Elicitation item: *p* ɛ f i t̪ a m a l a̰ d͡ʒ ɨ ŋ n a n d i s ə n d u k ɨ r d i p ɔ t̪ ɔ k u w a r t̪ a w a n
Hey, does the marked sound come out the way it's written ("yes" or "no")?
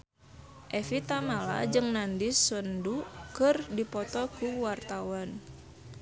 no